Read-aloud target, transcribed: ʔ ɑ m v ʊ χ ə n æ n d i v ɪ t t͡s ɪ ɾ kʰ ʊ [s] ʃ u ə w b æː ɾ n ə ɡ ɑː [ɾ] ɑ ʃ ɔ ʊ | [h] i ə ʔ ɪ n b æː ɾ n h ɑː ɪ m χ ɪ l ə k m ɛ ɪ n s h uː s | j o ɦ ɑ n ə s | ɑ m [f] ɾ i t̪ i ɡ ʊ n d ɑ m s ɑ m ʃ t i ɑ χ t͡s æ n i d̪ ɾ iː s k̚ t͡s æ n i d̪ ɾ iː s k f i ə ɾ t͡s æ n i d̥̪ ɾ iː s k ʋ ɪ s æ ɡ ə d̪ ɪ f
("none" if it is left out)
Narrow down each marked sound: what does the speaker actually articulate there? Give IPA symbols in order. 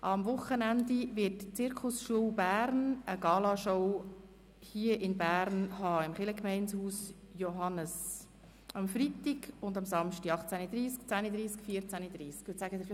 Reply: s, l, h, f

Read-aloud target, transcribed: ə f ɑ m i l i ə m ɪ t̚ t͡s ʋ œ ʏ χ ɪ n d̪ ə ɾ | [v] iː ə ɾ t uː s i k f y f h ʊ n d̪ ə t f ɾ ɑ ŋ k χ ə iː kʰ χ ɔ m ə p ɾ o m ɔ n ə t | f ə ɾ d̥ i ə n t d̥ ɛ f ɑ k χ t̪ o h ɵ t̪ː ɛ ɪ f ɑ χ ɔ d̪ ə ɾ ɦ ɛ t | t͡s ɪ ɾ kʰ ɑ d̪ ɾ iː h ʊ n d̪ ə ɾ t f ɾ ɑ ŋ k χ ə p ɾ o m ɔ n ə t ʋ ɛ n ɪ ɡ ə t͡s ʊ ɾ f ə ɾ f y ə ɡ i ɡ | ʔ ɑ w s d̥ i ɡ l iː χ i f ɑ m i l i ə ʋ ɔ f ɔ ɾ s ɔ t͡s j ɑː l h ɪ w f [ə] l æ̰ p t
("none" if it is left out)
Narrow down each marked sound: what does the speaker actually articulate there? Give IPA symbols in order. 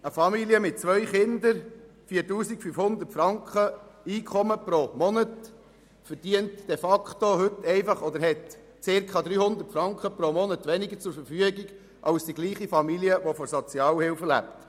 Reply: f, ə

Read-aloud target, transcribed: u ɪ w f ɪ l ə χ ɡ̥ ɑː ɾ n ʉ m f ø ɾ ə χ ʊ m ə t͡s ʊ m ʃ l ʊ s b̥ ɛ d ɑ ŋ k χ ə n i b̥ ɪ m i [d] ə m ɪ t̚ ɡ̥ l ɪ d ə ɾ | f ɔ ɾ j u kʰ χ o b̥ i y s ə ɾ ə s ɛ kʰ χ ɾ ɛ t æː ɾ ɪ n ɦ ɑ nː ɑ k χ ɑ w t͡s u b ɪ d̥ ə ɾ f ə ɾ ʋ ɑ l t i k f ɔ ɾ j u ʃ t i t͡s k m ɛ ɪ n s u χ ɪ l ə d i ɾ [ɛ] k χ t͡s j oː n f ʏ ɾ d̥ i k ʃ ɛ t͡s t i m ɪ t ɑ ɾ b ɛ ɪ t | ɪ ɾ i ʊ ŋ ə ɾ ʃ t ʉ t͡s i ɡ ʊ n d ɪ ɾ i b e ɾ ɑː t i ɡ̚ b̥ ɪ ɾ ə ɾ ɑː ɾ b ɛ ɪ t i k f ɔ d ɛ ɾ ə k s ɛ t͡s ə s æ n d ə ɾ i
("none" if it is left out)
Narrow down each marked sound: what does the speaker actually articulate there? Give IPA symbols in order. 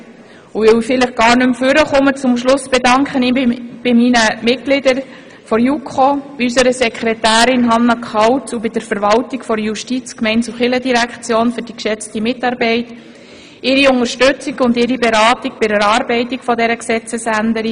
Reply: n, æ

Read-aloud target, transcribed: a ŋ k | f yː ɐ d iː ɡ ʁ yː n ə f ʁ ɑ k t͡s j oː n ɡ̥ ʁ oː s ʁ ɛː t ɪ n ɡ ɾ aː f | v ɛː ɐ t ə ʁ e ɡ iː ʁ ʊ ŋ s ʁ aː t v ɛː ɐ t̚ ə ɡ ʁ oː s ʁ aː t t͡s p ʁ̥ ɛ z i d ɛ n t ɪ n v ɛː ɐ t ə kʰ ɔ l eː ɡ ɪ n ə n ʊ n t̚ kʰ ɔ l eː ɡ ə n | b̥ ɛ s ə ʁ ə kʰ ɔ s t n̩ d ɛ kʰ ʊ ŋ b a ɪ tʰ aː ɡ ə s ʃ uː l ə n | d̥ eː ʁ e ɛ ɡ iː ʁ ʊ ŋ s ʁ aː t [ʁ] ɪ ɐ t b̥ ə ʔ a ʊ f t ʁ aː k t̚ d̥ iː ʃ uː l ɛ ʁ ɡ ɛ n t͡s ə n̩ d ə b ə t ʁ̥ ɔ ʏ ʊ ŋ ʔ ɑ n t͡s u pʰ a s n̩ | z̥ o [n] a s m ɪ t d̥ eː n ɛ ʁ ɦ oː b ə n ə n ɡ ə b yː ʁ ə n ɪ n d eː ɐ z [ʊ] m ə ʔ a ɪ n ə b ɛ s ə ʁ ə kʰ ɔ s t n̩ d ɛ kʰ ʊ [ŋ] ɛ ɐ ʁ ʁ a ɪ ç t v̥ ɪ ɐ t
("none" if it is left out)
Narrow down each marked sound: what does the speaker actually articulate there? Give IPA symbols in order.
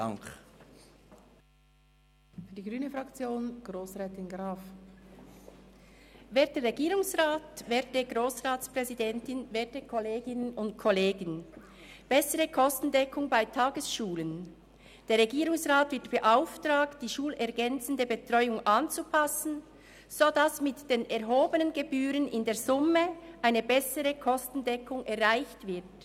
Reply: v, d, ʊ, ŋ

